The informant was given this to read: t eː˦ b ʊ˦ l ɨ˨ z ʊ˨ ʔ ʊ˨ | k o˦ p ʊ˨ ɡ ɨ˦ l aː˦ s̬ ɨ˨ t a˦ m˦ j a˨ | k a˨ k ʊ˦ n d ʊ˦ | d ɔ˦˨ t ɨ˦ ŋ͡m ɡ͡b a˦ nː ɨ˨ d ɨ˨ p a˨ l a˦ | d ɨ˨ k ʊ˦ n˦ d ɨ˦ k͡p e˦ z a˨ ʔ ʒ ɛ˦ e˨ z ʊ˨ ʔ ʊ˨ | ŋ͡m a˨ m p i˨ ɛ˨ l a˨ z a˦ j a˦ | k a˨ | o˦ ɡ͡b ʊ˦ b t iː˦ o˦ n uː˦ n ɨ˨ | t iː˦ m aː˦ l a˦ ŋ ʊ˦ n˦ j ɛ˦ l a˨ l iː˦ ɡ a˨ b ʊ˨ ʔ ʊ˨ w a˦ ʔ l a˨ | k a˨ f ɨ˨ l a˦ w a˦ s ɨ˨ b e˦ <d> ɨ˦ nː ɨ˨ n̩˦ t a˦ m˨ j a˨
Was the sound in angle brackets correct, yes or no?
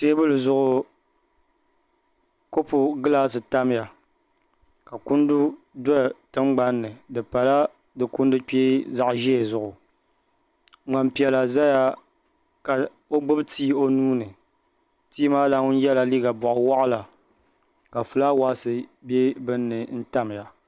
no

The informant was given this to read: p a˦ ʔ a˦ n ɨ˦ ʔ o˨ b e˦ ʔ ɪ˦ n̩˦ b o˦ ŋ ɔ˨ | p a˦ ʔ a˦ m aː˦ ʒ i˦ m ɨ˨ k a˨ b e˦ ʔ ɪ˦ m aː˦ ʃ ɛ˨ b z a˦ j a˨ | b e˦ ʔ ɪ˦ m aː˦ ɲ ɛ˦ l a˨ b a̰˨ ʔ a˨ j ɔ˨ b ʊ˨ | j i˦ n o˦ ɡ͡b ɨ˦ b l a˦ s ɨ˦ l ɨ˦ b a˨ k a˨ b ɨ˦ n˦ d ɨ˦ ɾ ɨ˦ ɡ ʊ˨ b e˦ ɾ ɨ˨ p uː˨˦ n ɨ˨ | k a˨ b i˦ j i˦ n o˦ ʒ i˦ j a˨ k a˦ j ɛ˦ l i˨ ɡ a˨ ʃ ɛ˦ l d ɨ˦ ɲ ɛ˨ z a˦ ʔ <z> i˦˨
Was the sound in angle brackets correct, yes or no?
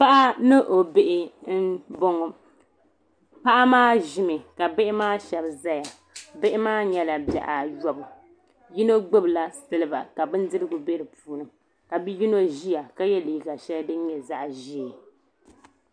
no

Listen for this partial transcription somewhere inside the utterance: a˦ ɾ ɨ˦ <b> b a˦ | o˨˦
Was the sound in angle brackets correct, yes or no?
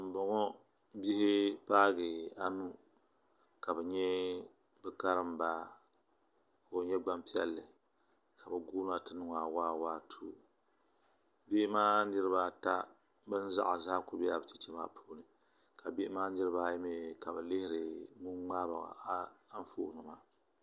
no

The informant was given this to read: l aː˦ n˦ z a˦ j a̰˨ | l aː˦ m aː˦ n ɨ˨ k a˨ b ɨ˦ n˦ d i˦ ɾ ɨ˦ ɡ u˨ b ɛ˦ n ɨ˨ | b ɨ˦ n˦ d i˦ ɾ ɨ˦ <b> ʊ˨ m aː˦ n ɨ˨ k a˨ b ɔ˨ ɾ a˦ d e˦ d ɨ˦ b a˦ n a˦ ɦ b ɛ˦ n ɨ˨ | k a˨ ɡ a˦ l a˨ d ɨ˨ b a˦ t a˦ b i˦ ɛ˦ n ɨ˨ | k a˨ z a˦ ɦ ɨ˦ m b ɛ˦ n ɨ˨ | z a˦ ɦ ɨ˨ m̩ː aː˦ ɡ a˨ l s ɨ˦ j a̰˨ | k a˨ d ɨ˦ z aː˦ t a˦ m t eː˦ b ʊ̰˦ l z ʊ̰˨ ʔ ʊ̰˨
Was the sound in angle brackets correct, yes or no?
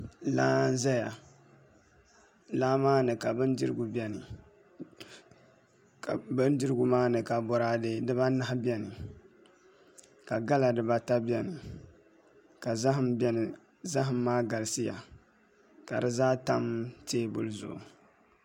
no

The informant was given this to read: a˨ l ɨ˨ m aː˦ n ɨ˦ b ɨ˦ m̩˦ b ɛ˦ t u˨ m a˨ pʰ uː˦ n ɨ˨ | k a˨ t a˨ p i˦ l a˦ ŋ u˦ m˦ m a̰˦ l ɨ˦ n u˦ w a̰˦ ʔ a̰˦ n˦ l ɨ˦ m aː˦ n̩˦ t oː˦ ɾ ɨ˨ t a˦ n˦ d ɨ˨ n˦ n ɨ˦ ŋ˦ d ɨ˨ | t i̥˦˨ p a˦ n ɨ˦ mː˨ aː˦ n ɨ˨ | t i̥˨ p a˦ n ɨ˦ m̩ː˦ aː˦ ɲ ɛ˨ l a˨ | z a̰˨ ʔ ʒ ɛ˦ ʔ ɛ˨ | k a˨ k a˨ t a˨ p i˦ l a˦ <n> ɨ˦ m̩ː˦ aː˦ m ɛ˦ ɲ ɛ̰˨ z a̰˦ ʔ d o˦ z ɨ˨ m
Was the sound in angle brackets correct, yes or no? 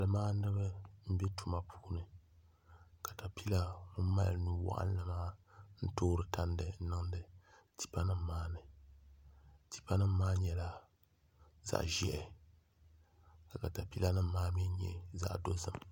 yes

